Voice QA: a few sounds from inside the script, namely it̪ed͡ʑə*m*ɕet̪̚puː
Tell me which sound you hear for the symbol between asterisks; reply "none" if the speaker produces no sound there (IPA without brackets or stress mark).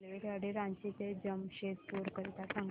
m